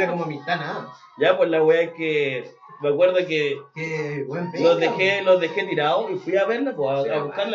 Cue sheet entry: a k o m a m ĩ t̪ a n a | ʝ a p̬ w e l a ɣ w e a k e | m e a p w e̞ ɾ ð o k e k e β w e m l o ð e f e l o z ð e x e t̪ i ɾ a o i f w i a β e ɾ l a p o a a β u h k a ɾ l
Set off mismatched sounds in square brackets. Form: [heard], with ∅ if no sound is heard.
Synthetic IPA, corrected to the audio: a k o m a m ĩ t̪ a n a | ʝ a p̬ w e l a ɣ w e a k e | m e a [k] w e̞ ɾ ð o k e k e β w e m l o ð e [x] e l o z ð e x e t̪ i ɾ a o i f w i a β e ɾ l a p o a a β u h k a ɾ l